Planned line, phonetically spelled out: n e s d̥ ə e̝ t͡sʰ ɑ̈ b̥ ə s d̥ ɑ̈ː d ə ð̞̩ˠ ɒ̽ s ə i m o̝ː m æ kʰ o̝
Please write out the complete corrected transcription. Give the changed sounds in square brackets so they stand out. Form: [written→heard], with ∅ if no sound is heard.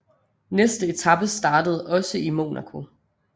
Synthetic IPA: n e s d̥ ə e̝ t͡sʰ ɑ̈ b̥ ə s d̥ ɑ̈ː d ə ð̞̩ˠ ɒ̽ s ə i m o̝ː [m→n] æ kʰ o̝